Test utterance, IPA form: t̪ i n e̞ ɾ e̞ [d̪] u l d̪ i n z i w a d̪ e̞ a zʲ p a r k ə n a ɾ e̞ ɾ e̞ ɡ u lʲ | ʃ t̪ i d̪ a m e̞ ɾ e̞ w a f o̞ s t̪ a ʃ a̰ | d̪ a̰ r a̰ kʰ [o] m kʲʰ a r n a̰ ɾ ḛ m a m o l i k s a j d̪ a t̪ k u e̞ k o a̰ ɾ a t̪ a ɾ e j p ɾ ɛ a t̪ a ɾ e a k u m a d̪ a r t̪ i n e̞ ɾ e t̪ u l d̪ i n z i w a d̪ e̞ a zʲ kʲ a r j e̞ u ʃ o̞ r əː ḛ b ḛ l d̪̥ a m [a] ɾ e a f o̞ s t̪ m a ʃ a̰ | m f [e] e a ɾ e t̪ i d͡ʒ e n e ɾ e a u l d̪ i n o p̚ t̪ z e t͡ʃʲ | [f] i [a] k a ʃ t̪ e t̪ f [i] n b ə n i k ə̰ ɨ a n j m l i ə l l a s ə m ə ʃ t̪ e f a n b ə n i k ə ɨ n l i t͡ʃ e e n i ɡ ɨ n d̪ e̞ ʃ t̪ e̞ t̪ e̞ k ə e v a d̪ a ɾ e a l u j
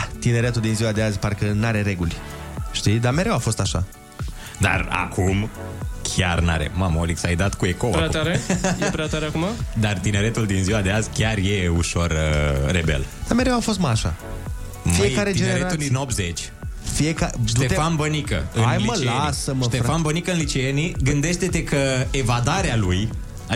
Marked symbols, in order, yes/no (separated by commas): no, no, no, no, yes, no, no